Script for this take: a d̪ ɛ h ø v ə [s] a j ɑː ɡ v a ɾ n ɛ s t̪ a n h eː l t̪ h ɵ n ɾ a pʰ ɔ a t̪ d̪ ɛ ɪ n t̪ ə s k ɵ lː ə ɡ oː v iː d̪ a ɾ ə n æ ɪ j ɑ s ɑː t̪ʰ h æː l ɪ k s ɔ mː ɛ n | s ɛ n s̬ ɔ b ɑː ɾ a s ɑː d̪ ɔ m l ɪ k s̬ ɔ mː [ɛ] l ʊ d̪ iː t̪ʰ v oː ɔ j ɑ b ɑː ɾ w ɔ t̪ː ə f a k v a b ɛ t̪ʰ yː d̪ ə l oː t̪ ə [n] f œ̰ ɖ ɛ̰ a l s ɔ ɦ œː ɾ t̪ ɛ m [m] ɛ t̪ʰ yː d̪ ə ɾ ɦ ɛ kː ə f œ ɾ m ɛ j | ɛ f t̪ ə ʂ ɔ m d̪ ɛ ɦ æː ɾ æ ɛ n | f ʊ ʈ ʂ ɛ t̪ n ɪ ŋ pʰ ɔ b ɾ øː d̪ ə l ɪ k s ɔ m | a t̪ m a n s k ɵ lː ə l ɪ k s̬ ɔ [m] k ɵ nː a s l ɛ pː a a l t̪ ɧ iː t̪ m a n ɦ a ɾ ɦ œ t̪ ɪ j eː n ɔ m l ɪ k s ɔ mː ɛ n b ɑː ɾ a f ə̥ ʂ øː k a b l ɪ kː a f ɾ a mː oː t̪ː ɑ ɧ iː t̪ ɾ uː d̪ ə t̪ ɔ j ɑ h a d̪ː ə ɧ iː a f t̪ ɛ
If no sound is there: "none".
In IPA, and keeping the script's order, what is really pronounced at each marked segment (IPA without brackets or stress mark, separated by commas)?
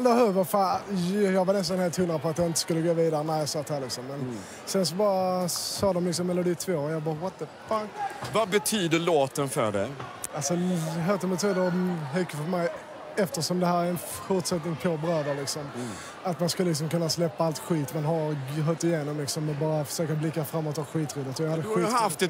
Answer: f, ɛ, n, b, m